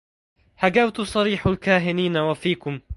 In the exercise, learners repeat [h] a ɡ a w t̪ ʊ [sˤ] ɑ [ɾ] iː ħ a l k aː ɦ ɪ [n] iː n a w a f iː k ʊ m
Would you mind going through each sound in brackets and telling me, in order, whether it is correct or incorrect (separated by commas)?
correct, correct, correct, correct